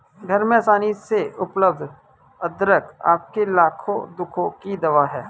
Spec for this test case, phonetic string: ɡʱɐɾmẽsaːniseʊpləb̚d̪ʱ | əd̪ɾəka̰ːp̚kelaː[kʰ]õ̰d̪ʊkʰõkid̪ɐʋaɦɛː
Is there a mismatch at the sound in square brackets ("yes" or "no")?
no